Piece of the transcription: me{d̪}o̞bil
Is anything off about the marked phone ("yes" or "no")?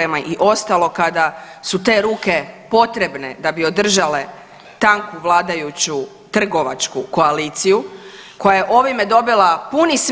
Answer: no